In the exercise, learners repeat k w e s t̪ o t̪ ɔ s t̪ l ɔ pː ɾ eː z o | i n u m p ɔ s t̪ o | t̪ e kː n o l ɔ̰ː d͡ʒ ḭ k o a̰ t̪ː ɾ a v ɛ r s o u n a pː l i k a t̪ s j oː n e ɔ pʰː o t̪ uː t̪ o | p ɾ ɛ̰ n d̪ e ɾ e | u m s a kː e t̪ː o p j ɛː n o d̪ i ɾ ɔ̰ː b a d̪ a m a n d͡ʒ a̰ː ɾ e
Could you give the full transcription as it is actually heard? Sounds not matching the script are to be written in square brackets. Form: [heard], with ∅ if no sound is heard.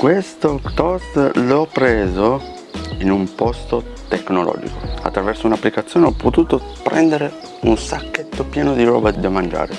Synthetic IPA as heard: k w e s t̪ o t̪ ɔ s t̪ l ɔ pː ɾ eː z o | i n u m p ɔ s t̪ o | t̪ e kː n o l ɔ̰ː d͡ʒ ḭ k o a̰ t̪ː ɾ a v ɛ r s o u n a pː l i k a t̪ [sː] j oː n e ɔ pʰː o t̪ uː t̪ o | p ɾ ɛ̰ n d̪ e ɾ e | u [n] s a kː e t̪ː o p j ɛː n o d̪ i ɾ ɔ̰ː b a d̪ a m a n d͡ʒ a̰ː ɾ e

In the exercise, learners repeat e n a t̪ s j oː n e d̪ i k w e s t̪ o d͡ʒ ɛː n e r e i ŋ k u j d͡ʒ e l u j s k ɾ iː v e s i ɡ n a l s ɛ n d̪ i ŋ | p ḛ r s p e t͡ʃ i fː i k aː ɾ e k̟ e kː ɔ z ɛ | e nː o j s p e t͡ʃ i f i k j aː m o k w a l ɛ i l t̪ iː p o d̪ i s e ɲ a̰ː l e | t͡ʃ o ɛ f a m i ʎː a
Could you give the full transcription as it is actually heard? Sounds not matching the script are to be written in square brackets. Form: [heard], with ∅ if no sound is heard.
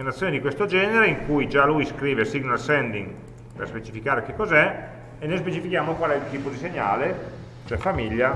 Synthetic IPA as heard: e n a t̪ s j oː n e d̪ i k w e s t̪ o d͡ʒ ɛː n e [ɾ] e i ŋ k u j d͡ʒ [a] l u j s k ɾ iː v e s i ɡ n a l s ɛ n d̪ i ŋ | p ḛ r s p e t͡ʃ i [f] i k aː ɾ e k̟ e kː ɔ z ɛ | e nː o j s p e t͡ʃ i f i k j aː m o k w a l ɛ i l t̪ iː p o d̪ i s e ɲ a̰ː l e | t͡ʃ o ɛ f a m i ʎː a

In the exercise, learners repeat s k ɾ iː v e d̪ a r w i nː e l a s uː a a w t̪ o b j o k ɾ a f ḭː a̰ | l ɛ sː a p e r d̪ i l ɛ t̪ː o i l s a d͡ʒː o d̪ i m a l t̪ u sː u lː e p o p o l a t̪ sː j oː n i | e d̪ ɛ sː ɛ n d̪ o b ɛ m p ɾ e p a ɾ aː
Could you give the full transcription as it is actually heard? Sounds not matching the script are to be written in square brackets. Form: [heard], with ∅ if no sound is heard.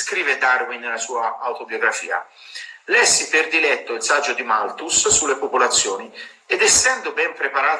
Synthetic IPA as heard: s k ɾ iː v e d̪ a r w i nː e l a s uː a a w t̪ o b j o [ɡ] ɾ a f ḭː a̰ | l ɛ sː [i] p e r d̪ i l ɛ t̪ː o i l s a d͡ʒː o d̪ i m a l t̪ u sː u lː e p o p o l a t̪ sː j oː n i | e d̪ ɛ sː ɛ n d̪ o b ɛ m p ɾ e p a ɾ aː

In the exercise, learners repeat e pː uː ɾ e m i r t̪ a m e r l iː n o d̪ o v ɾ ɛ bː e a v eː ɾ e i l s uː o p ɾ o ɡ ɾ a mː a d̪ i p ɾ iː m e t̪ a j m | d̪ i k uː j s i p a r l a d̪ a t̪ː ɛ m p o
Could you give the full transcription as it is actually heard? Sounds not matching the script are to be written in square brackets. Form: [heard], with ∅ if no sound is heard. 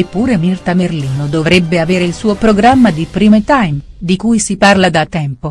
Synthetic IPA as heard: e pː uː ɾ e m i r t̪ a m e r l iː n o d̪ o v ɾ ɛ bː e a v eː ɾ e i l s uː o p ɾ o ɡ ɾ a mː a d̪ i p ɾ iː m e t̪ a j m | d̪ i k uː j s i p a r l a d̪ a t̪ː ɛ m p o

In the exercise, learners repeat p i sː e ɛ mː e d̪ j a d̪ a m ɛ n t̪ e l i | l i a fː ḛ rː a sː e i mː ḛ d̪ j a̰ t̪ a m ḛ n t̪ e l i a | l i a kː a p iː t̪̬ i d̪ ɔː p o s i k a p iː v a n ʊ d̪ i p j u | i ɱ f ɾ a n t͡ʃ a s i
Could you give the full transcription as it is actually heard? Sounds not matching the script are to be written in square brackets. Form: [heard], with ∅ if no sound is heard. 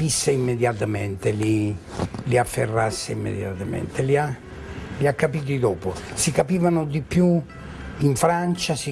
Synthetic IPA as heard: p i sː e [i] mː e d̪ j a [t̪] a m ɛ n t̪ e l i | l i a fː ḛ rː a sː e i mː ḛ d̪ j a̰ t̪ a m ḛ n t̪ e l i a | l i a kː a p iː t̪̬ i d̪ ɔː p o s i k a p iː v a n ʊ d̪ i p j u | i ɱ f ɾ a n t͡ʃ a s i

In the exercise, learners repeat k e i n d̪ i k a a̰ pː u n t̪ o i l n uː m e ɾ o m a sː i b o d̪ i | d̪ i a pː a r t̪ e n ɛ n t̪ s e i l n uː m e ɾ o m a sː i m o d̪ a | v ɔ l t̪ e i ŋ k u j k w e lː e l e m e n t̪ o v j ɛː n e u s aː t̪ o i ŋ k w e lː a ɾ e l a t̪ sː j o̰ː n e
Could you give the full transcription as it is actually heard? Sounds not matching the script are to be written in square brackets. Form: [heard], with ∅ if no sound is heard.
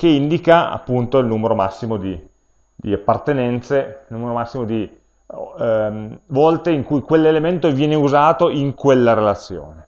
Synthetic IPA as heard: k e i n d̪ i k a a̰ pː u n t̪ o i l n uː m e ɾ o m a sː i [m] o d̪ i | d̪ i a pː a r t̪ e n ɛ n t̪ s e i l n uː m e ɾ o m a sː i m o d̪ [i] | v ɔ l t̪ e i ŋ k u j k w e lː e l e m e n t̪ o v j ɛː n e u [z] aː t̪ o i ŋ k w e lː a ɾ e l a t̪ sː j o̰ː n e

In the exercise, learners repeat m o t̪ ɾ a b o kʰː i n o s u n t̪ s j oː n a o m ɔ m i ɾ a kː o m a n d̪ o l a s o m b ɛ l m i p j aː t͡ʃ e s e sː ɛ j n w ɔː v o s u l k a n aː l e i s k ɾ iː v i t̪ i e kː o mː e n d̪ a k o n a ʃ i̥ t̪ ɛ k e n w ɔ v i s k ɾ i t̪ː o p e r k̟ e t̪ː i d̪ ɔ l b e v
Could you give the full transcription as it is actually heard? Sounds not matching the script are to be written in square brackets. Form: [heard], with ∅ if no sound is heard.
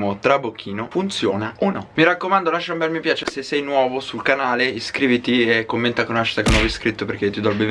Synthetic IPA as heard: m o t̪ ɾ a b o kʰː [iː] n o [f] u n t̪ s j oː n a o [n] ɔ m i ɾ a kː o m a n d̪ o l a [ʃ] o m b ɛ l m i p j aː t͡ʃ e s e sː ɛ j n w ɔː v o s u l k a n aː l e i s k ɾ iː v i t̪ i e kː o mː e n [t̪] a k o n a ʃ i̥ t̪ [a] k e n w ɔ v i s k ɾ i t̪ː o p e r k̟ e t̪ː i d̪ ɔ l b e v

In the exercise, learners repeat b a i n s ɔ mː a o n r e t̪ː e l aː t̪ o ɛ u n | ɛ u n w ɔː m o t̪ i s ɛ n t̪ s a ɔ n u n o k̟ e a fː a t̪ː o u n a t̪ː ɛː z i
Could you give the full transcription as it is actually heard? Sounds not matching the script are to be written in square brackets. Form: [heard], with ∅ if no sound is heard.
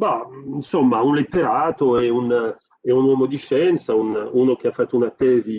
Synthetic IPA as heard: b a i n s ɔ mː a [u] n [l] e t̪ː e [ɾ] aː t̪ o ɛ u n | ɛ u n w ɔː m o [d̪] i [ʃ] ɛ n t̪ s a [u] n u n o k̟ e a fː a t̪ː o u n a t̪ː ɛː z i

